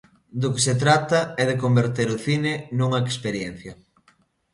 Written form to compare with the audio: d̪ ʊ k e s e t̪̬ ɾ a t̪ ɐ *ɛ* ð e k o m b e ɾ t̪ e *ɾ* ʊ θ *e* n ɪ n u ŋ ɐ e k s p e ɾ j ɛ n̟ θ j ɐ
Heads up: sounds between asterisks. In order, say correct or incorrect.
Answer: correct, correct, incorrect

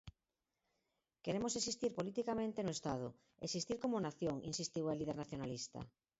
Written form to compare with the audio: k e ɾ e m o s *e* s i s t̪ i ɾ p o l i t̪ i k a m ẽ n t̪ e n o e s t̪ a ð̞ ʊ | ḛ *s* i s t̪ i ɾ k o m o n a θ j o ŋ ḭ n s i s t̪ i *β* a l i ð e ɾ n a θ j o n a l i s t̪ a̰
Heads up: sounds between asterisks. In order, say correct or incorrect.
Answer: correct, correct, incorrect

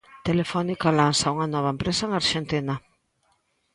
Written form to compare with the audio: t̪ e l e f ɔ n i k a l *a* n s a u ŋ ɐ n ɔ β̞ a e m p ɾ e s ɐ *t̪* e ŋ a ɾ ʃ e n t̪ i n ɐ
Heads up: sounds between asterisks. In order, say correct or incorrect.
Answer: correct, incorrect

